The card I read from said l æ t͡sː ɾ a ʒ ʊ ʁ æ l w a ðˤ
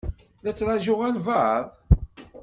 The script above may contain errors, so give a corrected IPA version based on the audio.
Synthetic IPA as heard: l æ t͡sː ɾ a ʒ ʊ ʁ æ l v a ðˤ